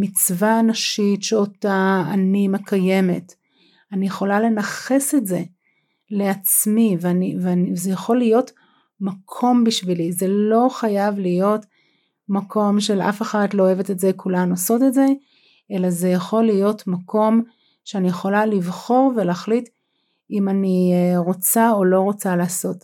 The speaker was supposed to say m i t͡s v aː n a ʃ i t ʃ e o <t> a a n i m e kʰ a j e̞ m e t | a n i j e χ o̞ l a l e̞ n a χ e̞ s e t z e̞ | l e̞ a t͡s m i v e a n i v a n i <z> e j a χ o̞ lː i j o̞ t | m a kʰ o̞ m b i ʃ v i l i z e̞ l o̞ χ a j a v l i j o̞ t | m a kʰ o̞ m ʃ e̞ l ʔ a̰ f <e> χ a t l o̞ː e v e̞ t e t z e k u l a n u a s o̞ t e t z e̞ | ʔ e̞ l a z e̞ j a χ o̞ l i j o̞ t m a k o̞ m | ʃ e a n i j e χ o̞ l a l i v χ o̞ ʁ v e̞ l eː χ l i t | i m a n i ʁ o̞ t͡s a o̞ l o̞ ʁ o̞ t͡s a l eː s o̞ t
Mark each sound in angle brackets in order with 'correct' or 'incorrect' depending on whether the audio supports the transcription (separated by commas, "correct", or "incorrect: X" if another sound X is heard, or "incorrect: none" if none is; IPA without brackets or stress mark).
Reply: correct, correct, correct